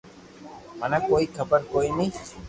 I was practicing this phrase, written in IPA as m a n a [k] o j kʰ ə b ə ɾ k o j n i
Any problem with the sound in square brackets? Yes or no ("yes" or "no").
no